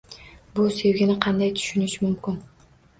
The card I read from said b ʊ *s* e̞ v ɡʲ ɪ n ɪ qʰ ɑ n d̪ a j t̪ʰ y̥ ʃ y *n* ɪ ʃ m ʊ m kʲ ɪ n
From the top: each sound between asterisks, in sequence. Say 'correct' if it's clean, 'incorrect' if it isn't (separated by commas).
correct, correct